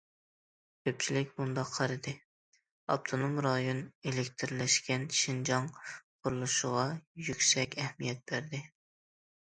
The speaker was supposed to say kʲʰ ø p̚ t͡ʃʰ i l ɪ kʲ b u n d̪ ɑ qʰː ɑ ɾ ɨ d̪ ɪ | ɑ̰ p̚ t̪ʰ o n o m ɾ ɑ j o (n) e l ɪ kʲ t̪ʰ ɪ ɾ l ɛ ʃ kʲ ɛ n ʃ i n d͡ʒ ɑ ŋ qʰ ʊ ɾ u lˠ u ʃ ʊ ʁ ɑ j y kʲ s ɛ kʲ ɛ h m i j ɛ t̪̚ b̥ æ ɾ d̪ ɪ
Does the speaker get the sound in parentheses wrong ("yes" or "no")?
no